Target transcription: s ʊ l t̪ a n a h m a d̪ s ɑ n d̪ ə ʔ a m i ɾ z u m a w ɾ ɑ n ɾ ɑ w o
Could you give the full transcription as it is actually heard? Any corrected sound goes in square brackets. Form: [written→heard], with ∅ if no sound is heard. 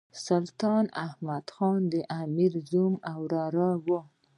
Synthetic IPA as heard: s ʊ l t̪ [a→ɑ] n a h m a d̪ [s→x] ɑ n d̪ ə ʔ a m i ɾ z u m a w ɾ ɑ [n→∅] ɾ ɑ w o